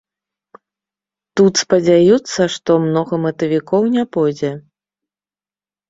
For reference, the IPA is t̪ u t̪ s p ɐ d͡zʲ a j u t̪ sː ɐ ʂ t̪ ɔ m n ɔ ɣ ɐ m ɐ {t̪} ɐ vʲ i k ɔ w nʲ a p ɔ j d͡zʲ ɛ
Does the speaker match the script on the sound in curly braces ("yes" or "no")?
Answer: yes